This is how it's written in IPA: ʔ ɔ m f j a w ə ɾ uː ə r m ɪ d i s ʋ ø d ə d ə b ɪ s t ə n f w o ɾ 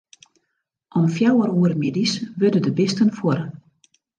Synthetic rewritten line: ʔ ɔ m f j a w ə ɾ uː ə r m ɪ d i s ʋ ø d ə d ə b ɪ s t ə n f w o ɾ